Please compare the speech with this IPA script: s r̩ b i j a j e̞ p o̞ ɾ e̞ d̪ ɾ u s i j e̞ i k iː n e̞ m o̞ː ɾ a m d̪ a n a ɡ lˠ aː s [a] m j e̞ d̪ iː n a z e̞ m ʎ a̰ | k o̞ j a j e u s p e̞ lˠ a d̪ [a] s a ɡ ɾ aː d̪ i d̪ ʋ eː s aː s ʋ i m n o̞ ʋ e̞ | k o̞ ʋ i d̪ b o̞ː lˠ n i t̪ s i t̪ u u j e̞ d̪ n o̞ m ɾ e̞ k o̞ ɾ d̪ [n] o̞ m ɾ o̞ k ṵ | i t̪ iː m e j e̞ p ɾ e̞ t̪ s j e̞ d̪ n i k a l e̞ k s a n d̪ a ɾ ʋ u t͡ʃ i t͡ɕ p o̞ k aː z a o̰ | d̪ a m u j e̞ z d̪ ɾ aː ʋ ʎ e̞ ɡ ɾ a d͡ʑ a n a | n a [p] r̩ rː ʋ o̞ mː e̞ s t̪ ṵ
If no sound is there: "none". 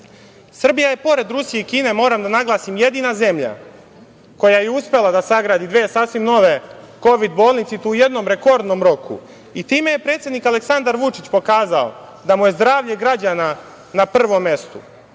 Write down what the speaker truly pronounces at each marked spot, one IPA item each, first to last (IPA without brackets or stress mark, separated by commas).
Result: i, a, n, p